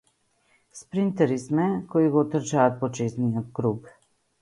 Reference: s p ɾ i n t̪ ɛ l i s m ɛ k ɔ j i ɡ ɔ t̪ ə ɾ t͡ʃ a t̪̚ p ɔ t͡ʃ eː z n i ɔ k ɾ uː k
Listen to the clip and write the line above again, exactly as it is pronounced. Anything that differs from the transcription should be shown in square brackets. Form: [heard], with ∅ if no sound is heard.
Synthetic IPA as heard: s p ɾ i n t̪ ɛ [ɾ] i s m ɛ k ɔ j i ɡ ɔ t̪ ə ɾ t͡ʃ a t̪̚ p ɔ t͡ʃ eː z n i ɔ k ɾ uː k